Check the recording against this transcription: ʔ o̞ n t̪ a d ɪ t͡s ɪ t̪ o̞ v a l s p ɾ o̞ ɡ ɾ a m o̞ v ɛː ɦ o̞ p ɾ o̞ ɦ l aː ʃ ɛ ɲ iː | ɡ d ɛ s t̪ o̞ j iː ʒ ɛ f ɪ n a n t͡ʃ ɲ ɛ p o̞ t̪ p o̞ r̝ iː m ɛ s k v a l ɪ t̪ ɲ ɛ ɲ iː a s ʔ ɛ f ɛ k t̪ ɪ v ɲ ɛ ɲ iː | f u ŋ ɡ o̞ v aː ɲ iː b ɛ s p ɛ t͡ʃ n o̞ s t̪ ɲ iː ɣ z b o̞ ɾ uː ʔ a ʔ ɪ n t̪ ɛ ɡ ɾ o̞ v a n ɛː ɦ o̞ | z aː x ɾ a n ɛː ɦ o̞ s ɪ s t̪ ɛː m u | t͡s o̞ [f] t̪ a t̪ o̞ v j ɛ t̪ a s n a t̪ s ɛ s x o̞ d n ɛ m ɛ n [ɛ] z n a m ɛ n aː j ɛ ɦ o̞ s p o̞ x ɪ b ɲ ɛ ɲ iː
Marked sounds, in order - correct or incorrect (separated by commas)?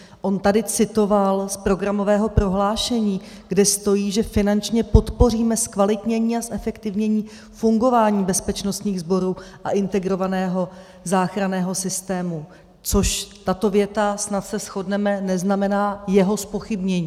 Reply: incorrect, correct